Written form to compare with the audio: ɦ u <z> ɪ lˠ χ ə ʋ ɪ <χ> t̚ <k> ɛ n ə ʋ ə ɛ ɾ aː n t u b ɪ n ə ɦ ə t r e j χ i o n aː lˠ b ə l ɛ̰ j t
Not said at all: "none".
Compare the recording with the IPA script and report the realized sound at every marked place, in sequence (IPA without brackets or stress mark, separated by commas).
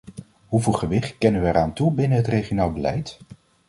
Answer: v, χ, k